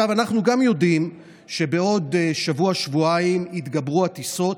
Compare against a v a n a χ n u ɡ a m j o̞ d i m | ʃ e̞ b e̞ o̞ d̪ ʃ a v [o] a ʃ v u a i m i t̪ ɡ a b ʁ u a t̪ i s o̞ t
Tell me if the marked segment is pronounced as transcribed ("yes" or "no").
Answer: no